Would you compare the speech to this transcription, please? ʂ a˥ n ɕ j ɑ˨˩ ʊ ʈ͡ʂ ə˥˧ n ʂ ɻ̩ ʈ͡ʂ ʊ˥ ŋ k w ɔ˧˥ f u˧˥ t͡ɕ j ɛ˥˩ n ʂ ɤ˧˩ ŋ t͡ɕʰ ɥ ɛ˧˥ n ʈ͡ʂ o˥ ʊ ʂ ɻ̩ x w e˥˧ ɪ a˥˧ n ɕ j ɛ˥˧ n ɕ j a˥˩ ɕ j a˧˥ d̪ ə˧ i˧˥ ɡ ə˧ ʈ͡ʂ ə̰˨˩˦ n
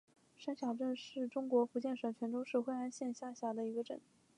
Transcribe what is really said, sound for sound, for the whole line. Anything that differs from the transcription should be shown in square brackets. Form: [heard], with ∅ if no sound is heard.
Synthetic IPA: ʂ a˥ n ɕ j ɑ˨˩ ʊ ʈ͡ʂ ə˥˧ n ʂ ɻ̩ ʈ͡ʂ ʊ˥ ŋ k w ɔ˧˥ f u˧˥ t͡ɕ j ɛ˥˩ n ʂ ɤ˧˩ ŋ t͡ɕʰ ɥ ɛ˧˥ n ʈ͡ʂ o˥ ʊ ʂ ɻ̩ x w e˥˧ ɪ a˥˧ n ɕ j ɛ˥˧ n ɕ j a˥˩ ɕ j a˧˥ d̪ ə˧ i˧˥ ɡ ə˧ ʈ͡ʂ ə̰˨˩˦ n